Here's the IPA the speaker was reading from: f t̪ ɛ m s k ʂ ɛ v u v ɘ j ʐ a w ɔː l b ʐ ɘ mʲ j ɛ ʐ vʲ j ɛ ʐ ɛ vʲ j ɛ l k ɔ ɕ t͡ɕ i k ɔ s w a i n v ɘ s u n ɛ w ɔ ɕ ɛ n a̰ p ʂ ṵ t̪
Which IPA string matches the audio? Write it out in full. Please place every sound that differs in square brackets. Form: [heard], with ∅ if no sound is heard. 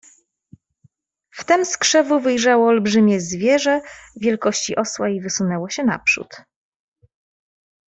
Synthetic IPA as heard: f t̪ ɛ m s k ʂ ɛ v u v ɘ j ʐ a w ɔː l b ʐ ɘ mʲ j ɛ [z] vʲ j ɛ ʐ ɛ vʲ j ɛ l k ɔ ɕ t͡ɕ i [ʔ] ɔ s w a i [∅] v ɘ s u n ɛ w ɔ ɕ ɛ n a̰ p ʂ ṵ t̪